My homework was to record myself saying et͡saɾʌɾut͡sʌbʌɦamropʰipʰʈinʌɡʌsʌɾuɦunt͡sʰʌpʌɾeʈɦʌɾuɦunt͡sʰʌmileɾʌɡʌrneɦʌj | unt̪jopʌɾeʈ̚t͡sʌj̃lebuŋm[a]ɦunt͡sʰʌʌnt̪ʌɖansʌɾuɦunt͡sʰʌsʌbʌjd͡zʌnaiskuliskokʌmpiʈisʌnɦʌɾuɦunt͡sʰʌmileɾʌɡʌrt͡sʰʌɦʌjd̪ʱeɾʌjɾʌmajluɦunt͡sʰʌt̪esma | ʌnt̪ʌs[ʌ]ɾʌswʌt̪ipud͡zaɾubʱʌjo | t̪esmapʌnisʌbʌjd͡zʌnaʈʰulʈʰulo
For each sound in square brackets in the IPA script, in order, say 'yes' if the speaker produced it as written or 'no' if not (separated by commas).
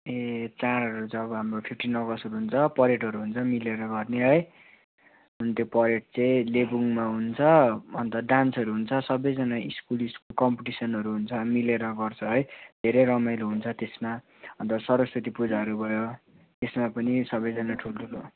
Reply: yes, yes